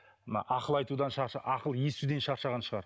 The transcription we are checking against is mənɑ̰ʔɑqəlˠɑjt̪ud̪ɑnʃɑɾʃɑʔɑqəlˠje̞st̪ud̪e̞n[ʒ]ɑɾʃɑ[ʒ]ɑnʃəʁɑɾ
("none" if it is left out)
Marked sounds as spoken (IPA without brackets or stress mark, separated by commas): ʃ, ʁ